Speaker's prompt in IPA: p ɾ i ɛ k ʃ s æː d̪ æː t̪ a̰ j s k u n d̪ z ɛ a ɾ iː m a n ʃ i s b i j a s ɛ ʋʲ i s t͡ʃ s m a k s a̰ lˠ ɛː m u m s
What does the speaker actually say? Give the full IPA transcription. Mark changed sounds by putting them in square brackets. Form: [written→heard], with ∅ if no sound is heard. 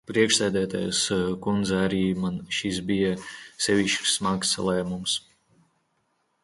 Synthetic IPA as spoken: p ɾ i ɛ k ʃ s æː d̪ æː t̪ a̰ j s k u n d̪ z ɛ a ɾ iː m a n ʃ i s b i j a s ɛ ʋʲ i [s→ʃ] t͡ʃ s m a k s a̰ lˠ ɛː m u m s